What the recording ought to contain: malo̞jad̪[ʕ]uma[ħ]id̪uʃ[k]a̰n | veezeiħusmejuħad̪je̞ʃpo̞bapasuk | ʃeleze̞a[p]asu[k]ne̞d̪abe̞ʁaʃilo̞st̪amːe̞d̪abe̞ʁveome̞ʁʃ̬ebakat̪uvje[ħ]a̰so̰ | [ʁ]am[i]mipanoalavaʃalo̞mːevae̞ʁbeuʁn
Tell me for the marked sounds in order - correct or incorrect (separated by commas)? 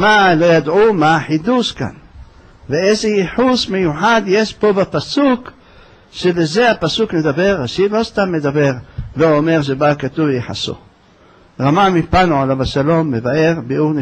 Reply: correct, correct, correct, correct, correct, correct, correct, incorrect